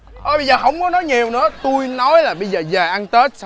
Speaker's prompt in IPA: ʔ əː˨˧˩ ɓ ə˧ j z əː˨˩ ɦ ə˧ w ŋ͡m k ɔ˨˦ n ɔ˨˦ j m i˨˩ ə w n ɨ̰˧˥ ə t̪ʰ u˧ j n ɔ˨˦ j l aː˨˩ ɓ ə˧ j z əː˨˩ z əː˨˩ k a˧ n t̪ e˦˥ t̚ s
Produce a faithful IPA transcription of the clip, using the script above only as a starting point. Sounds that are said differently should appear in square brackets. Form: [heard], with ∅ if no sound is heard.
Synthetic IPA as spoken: ʔ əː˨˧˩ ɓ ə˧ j z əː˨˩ ɦ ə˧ w ŋ͡m k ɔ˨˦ n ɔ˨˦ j [ɲ] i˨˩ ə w n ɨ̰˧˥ ə [t̪] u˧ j n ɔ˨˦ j l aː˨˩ ɓ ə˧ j z əː˨˩ z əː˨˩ [ʔ] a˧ n t̪ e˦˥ t̚ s